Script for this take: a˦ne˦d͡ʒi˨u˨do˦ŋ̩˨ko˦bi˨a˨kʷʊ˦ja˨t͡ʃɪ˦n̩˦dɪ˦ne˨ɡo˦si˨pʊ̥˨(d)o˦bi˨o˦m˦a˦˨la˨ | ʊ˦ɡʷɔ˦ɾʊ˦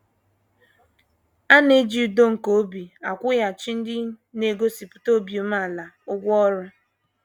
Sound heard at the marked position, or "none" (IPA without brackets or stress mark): t